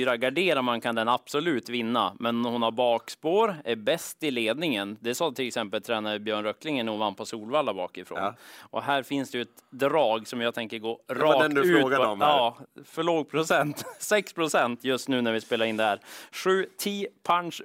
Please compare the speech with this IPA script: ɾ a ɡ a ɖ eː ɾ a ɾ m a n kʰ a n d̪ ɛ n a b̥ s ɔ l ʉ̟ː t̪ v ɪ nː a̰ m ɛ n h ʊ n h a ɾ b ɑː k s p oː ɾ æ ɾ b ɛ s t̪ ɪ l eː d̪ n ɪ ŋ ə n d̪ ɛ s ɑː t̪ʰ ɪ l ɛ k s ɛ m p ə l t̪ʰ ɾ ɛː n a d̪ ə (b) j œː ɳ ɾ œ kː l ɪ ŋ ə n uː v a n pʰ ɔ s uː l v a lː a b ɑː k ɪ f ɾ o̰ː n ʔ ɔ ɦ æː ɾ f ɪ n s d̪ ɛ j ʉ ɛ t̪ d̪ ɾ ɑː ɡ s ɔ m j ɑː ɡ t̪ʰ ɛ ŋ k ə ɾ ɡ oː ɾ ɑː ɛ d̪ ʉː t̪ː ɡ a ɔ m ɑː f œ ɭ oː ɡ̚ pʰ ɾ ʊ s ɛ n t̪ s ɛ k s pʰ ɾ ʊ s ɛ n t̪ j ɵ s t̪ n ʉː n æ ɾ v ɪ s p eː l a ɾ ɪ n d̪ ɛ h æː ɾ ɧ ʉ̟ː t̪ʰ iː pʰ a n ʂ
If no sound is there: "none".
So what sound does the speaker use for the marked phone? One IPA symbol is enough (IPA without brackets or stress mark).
b